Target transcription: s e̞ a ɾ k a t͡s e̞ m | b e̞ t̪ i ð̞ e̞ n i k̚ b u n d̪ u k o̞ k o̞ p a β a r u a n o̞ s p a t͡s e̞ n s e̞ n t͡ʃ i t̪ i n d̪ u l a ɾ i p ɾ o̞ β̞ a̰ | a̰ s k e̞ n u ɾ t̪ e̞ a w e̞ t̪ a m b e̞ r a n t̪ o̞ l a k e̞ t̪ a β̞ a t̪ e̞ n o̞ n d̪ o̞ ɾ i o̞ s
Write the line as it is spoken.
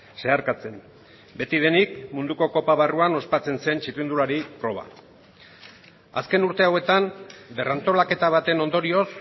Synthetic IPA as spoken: s e̞ a ɾ k a t͡s e̞ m | b e̞ t̪ i ð̞ e̞ n i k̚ m u n d̪ u k o̞ k o̞ p a β a r u a n o̞ s p a t͡s e̞ n s e̞ n t͡ʃ i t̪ i n d̪ u l a ɾ i p ɾ o̞ β̞ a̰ | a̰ s k e̞ n u ɾ t̪ e̞ a w e̞ t̪ a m b e̞ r a n t̪ o̞ l a k e̞ t̪ a β̞ a t̪ e̞ n o̞ n d̪ o̞ ɾ i o̞ s